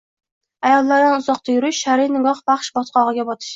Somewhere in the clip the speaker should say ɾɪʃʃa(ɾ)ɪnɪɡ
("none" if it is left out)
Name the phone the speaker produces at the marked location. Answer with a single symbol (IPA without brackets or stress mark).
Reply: ɾ